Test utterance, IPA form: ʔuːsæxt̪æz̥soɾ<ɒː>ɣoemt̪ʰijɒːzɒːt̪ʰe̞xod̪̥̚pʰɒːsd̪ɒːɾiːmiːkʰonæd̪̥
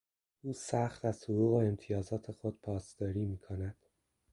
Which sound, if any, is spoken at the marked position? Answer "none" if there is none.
uː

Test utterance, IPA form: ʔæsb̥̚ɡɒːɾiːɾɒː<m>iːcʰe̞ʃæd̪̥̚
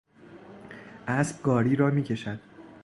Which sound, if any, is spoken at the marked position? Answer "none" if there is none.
m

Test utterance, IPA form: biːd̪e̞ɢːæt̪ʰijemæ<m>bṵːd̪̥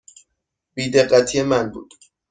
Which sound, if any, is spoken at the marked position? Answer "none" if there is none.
n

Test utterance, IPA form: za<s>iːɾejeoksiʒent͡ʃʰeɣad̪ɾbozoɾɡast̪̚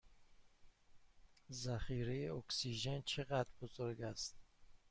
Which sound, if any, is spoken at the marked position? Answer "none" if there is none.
χ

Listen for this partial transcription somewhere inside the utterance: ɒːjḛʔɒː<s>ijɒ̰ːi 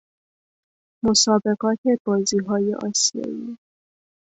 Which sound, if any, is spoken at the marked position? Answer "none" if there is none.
s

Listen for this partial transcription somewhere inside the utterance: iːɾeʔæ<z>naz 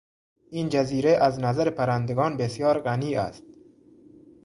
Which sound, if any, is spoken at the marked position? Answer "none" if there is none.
z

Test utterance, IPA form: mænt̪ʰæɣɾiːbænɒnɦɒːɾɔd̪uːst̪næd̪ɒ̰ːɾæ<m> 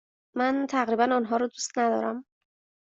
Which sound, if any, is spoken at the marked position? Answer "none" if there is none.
m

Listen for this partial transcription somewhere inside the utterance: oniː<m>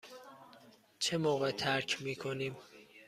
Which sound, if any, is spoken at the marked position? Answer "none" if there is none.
m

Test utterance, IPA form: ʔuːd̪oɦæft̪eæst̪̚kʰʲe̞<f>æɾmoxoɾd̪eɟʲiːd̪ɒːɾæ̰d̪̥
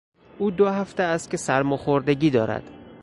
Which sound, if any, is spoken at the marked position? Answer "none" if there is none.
s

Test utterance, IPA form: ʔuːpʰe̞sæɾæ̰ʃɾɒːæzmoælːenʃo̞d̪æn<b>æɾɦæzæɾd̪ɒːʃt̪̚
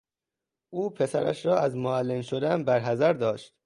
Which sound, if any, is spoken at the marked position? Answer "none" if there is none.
b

